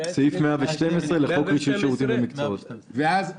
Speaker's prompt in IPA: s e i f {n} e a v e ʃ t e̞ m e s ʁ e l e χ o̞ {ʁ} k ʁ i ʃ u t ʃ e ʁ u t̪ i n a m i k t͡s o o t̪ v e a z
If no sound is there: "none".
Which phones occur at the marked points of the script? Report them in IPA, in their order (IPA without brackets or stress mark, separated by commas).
m, none